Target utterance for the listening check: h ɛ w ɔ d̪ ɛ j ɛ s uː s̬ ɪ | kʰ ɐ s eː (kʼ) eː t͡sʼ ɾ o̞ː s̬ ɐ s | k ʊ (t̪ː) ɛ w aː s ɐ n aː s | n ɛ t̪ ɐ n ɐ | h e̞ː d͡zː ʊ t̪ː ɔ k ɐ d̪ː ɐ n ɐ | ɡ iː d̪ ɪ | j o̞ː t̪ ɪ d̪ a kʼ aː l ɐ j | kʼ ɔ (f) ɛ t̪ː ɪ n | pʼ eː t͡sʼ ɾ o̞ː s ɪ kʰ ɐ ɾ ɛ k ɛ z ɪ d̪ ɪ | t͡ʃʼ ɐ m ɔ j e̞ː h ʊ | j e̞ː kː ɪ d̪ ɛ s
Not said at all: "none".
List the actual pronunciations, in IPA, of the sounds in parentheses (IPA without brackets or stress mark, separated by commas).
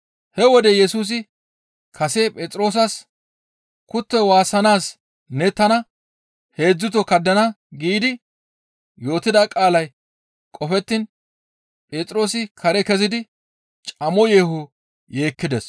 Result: pʼ, t̪ː, f